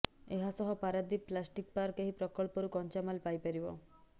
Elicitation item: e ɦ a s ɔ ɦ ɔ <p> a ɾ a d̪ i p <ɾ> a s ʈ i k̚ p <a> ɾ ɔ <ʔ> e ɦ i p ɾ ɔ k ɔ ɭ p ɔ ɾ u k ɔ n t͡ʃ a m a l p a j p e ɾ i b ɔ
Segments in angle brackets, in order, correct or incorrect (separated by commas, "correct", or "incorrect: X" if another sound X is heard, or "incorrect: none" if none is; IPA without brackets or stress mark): correct, incorrect: l, correct, incorrect: k